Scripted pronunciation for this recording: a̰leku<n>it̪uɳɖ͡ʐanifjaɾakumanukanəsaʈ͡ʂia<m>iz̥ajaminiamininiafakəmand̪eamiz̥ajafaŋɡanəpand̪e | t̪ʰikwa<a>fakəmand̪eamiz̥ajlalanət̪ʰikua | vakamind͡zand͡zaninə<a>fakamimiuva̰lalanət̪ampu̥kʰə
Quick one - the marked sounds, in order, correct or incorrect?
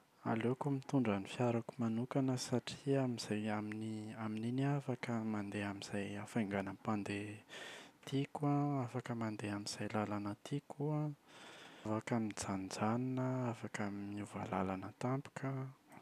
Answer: incorrect: m, correct, correct, correct

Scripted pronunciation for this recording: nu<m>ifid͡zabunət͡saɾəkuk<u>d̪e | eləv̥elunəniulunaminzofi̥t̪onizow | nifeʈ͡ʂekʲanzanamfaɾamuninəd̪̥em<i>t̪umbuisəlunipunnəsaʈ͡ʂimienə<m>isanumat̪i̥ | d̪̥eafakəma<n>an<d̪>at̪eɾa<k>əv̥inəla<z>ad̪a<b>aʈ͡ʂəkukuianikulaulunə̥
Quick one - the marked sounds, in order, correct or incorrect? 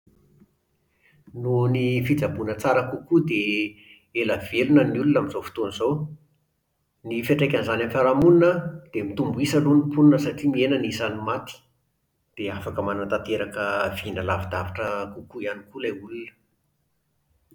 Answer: incorrect: n, correct, correct, incorrect: n, correct, incorrect: t̪, correct, incorrect: v, incorrect: v

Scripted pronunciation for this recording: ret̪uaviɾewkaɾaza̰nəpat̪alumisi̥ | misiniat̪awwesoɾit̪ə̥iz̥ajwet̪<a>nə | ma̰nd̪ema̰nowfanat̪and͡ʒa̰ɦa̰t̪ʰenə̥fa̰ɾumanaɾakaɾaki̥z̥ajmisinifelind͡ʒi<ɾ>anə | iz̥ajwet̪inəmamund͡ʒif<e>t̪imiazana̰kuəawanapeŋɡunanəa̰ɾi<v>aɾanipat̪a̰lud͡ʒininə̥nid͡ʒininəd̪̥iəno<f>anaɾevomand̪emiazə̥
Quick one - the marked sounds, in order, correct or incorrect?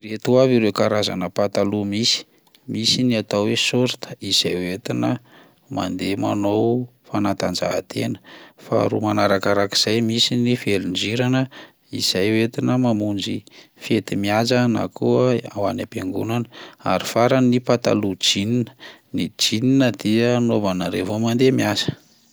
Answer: incorrect: i, correct, correct, incorrect: f, incorrect: v

